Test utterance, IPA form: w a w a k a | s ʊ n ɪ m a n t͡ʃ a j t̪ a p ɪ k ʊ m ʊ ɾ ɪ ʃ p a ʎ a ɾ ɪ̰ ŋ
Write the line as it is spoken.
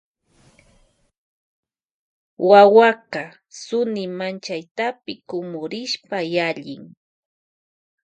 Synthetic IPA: w a w a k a | s ʊ n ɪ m a n t͡ʃ a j t̪ a p ɪ k ʊ m ʊ ɾ ɪ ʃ p a j a ʎ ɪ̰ ŋ